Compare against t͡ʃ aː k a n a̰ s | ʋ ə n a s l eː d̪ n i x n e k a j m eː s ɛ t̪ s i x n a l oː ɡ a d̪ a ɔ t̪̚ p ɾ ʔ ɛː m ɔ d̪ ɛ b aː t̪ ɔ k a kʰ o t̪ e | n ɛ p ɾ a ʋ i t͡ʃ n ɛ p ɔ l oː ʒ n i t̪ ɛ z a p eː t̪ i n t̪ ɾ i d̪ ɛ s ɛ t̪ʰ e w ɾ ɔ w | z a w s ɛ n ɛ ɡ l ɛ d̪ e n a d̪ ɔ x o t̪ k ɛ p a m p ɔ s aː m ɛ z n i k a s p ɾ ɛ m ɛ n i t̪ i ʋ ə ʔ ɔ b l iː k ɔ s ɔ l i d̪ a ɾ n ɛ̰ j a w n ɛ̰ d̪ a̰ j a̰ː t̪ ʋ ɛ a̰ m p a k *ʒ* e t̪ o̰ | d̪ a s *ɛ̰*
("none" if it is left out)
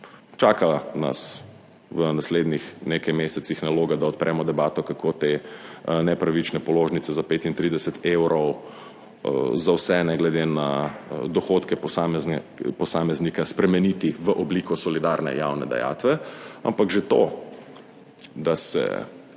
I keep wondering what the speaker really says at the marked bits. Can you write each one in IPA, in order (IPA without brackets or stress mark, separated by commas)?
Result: ʒ, ɛ̰